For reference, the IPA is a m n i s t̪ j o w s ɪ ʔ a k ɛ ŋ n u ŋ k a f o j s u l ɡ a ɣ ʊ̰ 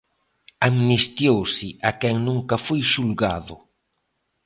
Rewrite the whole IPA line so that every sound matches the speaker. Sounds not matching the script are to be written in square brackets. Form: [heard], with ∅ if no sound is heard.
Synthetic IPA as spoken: a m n i s t̪ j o w s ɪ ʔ a k ɛ ŋ n u ŋ k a f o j [ʃ] u l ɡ a [ð] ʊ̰